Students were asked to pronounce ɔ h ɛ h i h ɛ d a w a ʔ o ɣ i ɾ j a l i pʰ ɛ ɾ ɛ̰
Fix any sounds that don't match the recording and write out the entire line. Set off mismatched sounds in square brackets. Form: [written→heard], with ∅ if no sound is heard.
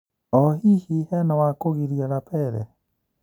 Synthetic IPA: ɔ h [ɛ→i] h i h ɛ [d→n] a w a [ʔ→k] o ɣ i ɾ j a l [i→a] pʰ ɛ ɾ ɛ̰